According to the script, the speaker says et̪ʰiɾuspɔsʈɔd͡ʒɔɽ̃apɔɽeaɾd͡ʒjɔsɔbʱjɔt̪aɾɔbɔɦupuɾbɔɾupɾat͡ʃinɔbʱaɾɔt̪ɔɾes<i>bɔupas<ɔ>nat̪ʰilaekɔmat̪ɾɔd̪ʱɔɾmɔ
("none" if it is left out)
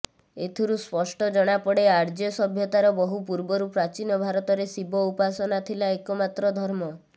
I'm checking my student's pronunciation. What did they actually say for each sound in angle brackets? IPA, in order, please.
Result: i, ɔ

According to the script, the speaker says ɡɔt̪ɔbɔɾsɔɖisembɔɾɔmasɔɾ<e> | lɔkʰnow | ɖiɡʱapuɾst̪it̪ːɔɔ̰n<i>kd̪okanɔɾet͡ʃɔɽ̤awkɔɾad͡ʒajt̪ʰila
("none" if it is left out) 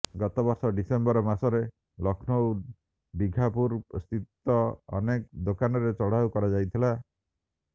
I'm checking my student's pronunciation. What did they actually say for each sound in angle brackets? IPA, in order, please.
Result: e, e

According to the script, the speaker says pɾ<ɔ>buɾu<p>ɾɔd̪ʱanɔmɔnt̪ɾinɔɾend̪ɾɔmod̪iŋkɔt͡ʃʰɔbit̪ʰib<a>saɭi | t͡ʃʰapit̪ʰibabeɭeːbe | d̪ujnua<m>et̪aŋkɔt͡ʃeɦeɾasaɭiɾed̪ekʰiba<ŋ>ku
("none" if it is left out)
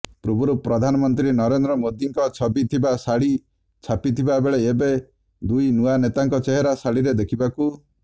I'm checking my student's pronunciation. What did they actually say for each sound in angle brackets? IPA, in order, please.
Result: u, p, a, n, none

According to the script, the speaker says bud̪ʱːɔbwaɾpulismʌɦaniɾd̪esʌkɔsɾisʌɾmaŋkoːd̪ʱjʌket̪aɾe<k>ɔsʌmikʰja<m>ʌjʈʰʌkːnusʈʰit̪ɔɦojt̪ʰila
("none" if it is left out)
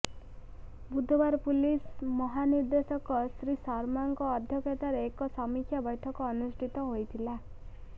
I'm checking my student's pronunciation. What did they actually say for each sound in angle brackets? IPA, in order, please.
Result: k, b

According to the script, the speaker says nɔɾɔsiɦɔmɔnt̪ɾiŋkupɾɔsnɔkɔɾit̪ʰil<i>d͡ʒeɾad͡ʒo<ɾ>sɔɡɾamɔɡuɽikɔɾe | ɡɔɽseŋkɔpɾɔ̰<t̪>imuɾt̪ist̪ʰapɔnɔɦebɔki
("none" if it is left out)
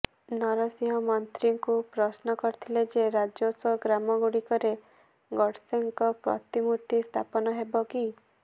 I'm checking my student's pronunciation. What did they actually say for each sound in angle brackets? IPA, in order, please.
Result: e, none, t̪

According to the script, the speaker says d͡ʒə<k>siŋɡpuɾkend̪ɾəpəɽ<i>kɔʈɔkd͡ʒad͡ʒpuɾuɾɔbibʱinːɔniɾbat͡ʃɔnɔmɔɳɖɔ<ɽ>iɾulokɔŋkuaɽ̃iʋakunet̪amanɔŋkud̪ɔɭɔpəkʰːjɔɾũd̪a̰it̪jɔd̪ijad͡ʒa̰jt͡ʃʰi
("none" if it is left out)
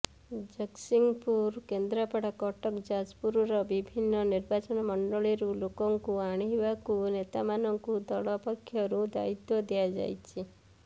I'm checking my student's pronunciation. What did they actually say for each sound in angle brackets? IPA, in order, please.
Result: k, a, ɭ

